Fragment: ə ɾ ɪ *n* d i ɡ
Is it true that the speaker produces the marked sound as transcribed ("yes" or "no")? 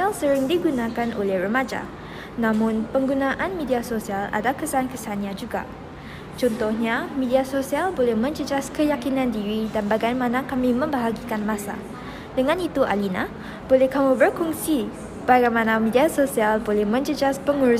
no